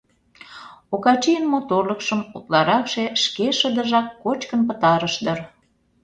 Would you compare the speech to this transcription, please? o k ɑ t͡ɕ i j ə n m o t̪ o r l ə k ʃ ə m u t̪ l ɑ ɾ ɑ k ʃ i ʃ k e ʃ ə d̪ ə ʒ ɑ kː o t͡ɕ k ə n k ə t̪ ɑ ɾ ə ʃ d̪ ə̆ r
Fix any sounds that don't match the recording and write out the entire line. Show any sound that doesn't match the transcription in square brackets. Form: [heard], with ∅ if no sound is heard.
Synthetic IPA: o k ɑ t͡ɕ i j ə n m o t̪ o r l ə k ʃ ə m u t̪ l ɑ ɾ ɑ k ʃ [e] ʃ k e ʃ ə d̪ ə ʒ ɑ kː o t͡ɕ k ə n [p] ə t̪ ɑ ɾ ə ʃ d̪ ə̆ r